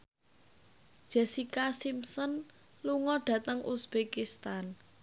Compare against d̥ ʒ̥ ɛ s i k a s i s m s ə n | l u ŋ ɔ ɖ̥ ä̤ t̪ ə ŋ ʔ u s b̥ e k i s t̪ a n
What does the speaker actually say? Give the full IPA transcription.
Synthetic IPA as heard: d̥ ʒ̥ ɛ s i k a s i m s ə n | l u ŋ ɔ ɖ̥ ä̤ t̪ ə ŋ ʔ u s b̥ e k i s t̪ a n